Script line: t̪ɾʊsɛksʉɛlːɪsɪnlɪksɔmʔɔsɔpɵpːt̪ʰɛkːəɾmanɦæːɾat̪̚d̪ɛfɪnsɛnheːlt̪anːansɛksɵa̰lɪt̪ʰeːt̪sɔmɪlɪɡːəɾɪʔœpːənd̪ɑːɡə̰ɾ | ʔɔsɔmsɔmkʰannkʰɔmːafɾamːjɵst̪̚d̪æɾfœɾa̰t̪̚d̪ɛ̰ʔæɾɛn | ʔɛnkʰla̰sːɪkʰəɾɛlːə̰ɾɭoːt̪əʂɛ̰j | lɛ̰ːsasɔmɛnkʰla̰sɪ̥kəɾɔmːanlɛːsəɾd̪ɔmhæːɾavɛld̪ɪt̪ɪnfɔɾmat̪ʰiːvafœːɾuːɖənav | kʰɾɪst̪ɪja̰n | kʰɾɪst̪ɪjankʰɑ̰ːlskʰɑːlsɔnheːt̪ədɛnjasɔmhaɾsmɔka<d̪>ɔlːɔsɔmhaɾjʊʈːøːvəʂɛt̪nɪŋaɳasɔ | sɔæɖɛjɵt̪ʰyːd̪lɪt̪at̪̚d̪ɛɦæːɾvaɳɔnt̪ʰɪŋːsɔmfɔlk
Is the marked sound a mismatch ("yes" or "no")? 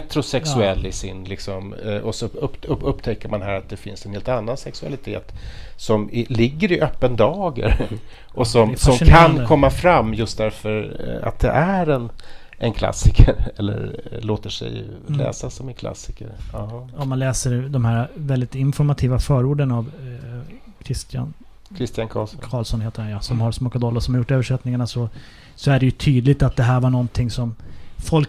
no